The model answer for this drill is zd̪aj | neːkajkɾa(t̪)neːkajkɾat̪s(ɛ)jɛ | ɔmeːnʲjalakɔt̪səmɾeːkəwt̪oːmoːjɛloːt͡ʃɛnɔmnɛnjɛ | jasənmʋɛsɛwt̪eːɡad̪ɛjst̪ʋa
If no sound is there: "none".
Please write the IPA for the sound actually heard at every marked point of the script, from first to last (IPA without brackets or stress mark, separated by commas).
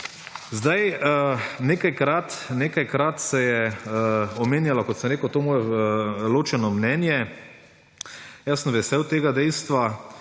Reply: t̪, ɛ